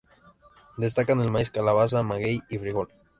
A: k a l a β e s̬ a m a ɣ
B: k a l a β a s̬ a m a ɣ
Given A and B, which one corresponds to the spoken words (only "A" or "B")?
B